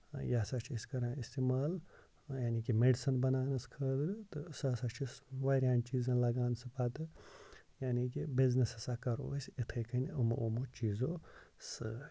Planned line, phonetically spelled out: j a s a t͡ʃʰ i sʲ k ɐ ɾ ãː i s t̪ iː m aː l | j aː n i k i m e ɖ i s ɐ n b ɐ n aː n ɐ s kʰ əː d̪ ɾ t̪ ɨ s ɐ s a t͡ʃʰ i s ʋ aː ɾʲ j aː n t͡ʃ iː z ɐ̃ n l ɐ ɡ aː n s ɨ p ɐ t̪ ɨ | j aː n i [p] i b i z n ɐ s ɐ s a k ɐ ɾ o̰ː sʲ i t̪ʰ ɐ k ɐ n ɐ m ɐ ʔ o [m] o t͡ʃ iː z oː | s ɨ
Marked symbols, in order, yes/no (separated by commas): no, yes